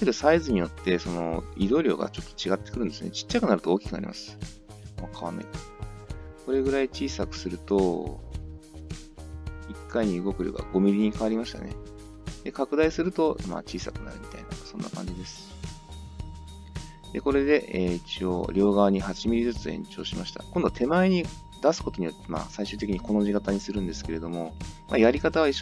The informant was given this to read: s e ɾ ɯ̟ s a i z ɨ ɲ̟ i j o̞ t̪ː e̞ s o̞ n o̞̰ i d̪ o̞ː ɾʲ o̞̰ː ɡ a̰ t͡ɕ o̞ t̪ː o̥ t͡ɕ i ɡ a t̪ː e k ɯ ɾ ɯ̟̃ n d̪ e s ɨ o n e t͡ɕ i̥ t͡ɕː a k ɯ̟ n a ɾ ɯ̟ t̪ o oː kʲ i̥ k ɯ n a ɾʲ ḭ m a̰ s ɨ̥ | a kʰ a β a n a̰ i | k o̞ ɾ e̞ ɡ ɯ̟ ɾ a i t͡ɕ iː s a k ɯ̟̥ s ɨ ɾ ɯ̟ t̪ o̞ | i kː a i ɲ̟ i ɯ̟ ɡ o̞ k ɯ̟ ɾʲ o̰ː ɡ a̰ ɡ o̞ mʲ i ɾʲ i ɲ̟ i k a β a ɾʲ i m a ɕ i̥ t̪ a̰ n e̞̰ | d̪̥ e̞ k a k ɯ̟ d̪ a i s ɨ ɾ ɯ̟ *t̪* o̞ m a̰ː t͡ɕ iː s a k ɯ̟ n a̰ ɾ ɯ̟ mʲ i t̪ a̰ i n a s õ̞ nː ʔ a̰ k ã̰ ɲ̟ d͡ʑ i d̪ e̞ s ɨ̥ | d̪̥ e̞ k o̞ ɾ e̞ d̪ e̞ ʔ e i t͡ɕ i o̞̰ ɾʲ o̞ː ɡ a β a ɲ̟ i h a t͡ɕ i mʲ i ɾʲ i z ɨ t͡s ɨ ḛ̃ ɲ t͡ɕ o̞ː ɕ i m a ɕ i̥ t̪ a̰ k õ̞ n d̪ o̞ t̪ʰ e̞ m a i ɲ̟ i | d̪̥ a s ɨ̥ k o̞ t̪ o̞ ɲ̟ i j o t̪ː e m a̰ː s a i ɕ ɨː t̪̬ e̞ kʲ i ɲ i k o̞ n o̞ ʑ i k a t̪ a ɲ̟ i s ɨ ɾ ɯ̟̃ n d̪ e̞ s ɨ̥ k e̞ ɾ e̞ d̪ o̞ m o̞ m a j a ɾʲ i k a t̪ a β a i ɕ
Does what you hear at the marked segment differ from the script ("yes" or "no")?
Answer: no